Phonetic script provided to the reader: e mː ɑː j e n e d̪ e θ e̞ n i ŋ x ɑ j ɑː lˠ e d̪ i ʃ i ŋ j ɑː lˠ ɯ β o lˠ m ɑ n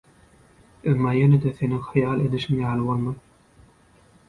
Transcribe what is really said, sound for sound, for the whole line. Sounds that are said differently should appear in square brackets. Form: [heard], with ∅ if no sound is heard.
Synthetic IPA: e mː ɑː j e n e d̪ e θ e̞ n i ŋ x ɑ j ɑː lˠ e d̪ i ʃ i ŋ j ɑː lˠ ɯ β o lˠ m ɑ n

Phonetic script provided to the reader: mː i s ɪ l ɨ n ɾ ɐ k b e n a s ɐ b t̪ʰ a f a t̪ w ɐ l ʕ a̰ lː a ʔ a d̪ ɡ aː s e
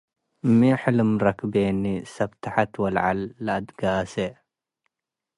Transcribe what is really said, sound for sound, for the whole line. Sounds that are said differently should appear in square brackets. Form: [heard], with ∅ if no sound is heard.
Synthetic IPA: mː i [ħ] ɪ l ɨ [m] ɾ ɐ k b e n [i] s ɐ b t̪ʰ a [ħ] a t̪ w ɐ l ʕ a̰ lː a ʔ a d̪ ɡ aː s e

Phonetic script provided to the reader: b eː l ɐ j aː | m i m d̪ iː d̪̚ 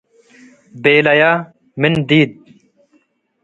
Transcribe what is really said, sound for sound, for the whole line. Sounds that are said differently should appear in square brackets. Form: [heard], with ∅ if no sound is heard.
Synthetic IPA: b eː l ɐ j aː | m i [n] d̪ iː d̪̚

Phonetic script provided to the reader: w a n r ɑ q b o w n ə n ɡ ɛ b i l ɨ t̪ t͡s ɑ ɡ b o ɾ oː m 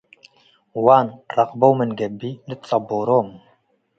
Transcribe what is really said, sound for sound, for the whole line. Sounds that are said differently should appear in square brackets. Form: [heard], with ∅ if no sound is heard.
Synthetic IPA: w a n r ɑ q b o w [m] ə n ɡ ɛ b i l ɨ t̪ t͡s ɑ [∅] b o ɾ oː m

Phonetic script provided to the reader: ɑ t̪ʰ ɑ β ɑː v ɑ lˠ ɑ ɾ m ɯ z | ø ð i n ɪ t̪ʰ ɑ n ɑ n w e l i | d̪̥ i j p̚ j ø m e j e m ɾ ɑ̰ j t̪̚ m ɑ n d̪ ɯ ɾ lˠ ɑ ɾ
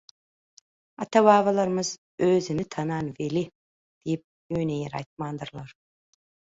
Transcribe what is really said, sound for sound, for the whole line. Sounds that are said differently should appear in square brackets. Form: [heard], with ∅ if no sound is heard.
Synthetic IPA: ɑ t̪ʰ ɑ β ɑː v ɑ lˠ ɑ ɾ m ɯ z | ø [z] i n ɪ t̪ʰ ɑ n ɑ n [v] e l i | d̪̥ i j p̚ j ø [n] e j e [∅] ɾ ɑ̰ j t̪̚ m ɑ n d̪ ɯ ɾ lˠ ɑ ɾ

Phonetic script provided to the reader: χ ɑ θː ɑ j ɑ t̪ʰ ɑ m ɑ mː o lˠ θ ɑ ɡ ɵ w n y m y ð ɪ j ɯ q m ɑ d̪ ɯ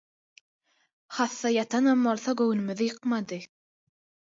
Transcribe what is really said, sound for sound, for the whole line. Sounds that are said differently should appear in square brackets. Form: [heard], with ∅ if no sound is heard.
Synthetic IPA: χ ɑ θː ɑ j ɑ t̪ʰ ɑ [n] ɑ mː o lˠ θ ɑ ɡ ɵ w n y m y ð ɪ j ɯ q m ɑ d̪ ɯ

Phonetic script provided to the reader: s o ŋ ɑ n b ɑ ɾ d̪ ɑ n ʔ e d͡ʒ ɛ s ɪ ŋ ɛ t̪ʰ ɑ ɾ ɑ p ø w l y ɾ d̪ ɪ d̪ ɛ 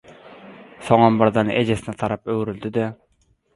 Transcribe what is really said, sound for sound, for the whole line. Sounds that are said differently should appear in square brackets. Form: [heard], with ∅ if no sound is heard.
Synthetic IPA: s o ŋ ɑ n b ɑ ɾ d̪ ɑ n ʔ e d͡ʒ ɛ s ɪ [n] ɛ t̪ʰ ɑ ɾ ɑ p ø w [ɾ] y [l] d̪ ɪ d̪ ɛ

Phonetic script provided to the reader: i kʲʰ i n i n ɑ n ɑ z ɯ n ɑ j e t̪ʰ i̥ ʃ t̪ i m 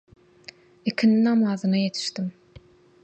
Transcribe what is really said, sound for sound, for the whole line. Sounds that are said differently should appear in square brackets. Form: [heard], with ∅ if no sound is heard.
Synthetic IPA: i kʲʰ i n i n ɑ [m] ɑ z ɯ n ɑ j e t̪ʰ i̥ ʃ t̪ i m

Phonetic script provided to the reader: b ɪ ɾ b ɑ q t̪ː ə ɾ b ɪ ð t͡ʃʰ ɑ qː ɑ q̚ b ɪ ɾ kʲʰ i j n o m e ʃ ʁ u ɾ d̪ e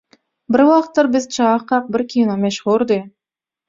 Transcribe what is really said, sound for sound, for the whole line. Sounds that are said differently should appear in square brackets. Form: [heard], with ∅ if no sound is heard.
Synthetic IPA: b ɪ ɾ [w] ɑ q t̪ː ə ɾ b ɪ [z] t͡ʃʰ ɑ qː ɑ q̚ b ɪ ɾ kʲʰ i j n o m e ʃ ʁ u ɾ d̪ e

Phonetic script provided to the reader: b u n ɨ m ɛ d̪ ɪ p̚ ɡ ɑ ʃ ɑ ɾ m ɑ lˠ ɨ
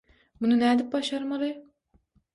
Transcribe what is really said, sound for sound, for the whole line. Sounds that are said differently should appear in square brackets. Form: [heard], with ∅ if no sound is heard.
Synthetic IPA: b u n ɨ [n] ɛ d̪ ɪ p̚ [b] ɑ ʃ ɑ ɾ m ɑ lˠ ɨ

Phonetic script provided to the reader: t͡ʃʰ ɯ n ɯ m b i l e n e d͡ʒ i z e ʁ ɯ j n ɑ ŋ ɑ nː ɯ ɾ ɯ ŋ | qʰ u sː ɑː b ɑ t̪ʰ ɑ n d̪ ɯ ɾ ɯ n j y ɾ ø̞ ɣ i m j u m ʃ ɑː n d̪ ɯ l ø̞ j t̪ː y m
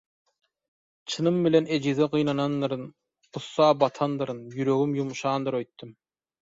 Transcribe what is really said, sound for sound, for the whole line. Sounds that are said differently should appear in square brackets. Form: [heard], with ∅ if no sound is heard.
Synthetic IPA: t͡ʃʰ ɯ n ɯ m b i l e n e d͡ʒ i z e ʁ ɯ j n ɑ [n] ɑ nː ɯ ɾ ɯ [n] | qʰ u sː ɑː b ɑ t̪ʰ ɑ n d̪ ɯ ɾ ɯ n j y ɾ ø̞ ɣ [y] m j u m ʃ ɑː n d̪ ɯ [ɾ] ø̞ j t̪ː y m

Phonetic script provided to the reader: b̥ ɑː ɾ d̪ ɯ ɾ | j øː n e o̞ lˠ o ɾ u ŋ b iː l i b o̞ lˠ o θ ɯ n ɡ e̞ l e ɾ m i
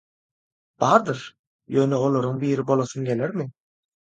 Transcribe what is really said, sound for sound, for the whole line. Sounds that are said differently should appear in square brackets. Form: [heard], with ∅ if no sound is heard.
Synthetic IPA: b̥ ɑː ɾ d̪ ɯ ɾ | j øː n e o̞ lˠ o ɾ u ŋ b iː [ɾ] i b o̞ lˠ o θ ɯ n ɡ e̞ l e ɾ m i

